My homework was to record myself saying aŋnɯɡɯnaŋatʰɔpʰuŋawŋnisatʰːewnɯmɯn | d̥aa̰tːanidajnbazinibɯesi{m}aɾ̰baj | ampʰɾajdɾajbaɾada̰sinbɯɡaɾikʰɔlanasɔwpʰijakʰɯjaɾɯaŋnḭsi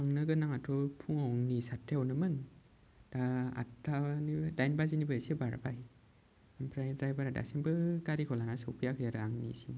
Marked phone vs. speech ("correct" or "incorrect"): incorrect